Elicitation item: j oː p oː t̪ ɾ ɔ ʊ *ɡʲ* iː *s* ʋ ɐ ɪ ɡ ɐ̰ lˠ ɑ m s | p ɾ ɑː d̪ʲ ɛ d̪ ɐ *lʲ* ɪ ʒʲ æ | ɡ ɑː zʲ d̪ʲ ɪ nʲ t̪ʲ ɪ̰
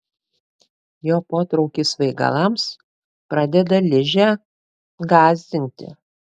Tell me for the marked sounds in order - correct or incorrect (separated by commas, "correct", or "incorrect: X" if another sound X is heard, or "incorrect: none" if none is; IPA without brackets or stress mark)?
incorrect: kʲ, correct, correct